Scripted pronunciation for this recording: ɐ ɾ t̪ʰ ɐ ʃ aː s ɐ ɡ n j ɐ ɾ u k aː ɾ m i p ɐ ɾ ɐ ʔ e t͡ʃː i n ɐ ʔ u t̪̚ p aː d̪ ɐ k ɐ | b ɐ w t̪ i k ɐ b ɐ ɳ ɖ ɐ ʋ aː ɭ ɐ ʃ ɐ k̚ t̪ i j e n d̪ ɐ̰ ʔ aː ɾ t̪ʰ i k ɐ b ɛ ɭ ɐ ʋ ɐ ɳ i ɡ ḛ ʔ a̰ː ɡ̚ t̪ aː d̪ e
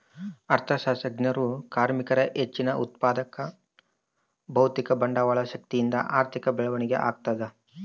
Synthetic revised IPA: ɐ ɾ t̪ʰ ɐ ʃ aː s ɐ ɡ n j ɐ ɾ u k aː ɾ m i k ɐ ɾ ɐ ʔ e t͡ʃː i n ɐ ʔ u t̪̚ p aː d̪ ɐ k ɐ | b ɐ w t̪ i k ɐ b ɐ ɳ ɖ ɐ ʋ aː ɭ ɐ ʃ ɐ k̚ t̪ i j i n d̪ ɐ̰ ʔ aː ɾ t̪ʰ i k ɐ b ɛ ɭ ɐ ʋ ɐ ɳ i ɡ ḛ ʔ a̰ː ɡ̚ t̪ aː d̪ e